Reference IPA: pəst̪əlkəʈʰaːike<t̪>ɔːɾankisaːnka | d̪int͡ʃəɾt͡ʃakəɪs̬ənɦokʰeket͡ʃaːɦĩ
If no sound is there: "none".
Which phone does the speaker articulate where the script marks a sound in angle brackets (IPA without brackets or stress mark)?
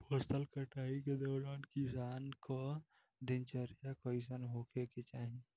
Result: d̪